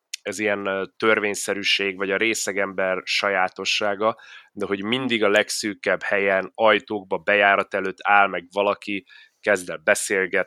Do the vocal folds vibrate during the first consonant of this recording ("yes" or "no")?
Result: yes